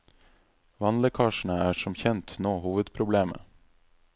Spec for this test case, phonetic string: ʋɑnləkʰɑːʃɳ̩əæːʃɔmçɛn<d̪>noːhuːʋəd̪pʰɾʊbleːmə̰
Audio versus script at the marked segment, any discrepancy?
yes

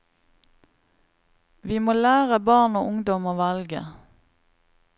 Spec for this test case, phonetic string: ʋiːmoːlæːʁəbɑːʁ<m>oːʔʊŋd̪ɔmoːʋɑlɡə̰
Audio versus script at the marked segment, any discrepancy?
yes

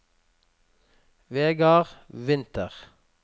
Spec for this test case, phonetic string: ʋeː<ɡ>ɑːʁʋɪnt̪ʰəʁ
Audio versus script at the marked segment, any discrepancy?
no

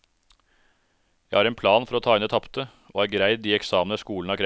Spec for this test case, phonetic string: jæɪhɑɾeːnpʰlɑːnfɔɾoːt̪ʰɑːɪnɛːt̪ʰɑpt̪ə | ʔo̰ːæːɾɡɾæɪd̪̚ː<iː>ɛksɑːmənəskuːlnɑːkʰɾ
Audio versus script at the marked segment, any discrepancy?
no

